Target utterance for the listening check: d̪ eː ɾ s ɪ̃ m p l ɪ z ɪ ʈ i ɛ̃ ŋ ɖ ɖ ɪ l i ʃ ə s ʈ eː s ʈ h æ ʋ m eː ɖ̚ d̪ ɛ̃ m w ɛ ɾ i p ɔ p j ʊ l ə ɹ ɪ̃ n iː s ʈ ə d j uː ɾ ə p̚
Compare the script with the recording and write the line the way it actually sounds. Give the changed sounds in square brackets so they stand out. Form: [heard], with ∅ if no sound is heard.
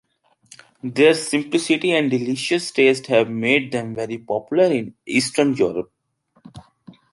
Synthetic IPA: d̪ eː ɾ s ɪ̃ m p l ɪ [s] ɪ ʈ i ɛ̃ [ɳ] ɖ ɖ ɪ l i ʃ ə s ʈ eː s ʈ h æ ʋ m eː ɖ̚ d̪ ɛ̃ m [ʋ] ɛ ɾ i p ɔ p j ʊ l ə [ɾ] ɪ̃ n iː s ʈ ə [n] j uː ɾ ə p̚